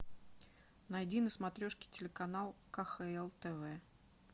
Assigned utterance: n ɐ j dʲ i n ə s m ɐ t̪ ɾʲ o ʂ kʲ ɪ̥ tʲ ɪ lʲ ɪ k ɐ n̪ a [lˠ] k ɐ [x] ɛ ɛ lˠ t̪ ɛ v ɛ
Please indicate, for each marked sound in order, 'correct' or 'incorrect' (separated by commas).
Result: correct, correct